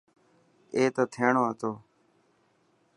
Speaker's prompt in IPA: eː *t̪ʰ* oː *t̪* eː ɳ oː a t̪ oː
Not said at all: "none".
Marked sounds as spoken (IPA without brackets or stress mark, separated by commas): t̪, t̪ʰ